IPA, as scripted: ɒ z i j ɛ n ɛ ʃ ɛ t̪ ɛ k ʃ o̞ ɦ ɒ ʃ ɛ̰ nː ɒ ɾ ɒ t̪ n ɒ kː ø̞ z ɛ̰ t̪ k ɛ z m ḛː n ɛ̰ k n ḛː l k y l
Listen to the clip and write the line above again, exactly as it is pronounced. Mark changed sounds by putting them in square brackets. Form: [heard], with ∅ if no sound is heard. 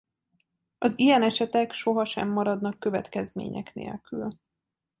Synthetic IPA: ɒ z i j ɛ n ɛ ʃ ɛ t̪ ɛ k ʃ o̞ ɦ ɒ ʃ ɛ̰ [mː] ɒ ɾ ɒ [d̪] n ɒ kː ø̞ [v] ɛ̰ t̪ k ɛ z m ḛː [ɲ] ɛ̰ k n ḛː l k y l